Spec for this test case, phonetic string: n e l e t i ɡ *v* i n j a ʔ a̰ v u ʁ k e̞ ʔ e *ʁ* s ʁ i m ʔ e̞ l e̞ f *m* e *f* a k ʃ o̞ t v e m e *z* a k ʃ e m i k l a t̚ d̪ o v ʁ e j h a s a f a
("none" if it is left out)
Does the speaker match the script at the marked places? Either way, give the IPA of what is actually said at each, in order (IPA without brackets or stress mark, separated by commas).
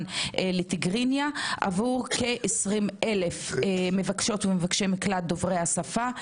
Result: ʁ, none, m, v, v